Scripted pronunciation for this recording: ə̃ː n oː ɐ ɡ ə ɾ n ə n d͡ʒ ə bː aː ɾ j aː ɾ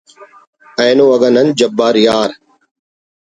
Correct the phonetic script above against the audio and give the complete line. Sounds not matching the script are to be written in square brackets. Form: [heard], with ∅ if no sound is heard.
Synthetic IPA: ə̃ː n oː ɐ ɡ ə [∅] n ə n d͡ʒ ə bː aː ɾ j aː ɾ